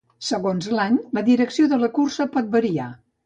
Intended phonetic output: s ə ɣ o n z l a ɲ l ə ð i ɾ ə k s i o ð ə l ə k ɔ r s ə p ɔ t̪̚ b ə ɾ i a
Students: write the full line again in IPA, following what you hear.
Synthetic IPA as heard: s ə ɣ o n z l a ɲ l ə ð i ɾ ə k s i o ð ə l ə k u r s ə p ɔ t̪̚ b ə ɾ i a